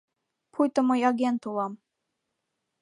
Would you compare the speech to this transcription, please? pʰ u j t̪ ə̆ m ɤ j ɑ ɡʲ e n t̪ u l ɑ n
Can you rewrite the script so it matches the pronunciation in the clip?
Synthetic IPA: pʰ u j t̪ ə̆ m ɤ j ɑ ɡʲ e n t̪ u l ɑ m